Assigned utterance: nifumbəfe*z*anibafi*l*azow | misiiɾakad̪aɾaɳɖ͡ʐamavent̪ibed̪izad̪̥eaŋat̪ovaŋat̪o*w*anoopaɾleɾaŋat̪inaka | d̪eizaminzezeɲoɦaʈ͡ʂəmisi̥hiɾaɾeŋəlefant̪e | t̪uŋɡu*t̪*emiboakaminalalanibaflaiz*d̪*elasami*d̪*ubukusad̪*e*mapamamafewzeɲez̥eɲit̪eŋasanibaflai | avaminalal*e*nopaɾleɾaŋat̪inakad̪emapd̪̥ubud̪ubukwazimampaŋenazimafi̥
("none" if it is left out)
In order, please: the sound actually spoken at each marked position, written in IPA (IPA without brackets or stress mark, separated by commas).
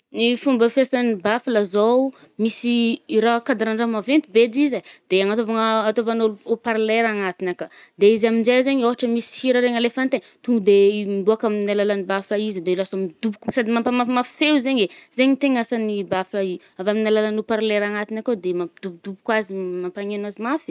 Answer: s, l, v, d̪, d̪, d̪, i, a